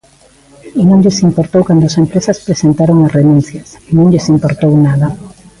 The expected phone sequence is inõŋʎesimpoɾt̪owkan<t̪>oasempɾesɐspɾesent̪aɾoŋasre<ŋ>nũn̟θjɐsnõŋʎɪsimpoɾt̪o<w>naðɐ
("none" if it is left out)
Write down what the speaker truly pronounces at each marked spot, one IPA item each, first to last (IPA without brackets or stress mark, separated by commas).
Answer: d̪, none, w